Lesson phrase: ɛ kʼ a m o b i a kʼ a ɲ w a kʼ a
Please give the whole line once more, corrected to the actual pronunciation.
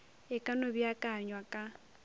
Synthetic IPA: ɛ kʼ a n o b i a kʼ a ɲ w a kʼ a

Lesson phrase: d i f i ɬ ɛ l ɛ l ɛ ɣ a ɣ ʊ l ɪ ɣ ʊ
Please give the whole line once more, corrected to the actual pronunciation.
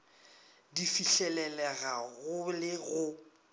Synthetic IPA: d i f i ɬ ɛ l ɛ l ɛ ɣ a ɣ ʊ l ɪ ɣ ʊ

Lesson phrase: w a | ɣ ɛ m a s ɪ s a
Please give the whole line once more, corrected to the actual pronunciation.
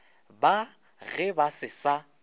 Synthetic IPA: b a | ɣ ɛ b a s ɪ s a

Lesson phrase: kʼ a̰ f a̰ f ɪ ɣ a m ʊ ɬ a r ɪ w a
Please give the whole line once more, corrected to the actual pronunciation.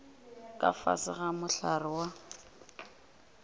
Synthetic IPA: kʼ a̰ f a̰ s ɪ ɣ a m ʊ ɬ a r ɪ w a

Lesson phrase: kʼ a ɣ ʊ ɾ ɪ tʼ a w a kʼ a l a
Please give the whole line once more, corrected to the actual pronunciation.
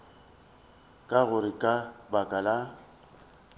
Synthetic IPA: kʼ a ɣ ʊ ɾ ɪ kʼ a b a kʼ a l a

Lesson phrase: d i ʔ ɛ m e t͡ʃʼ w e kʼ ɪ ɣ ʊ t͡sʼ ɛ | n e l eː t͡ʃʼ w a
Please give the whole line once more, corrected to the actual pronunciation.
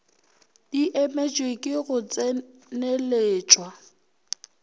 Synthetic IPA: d i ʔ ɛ m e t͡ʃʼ w e kʼ ɪ ɣ ʊ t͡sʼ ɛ | n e l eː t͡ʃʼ w a

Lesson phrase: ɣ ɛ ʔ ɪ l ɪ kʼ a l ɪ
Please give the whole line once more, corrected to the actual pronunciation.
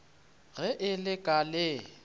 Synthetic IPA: ɣ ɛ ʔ ɪ l ɪ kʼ a l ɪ

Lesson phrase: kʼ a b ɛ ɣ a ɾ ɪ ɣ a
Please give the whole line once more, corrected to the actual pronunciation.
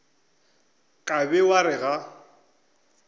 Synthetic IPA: kʼ a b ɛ w a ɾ ɪ ɣ a

